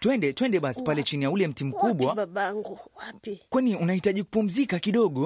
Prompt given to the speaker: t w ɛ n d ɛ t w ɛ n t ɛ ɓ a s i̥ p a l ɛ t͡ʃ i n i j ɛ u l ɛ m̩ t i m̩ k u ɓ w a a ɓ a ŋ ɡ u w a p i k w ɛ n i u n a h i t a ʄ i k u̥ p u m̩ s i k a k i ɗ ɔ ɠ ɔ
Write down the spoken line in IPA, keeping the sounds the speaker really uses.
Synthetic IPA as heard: t w ɛ n d ɛ t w ɛ n d ɛ ɓ a s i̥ p a l ɛ t͡ʃ i n i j a u l ɛ m̩ t i m̩ k u ɓ w a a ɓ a ŋ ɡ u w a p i k w ɛ n i u n a h i t a ʄ i k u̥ p u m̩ z i k a k i ɗ ɔ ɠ ɔ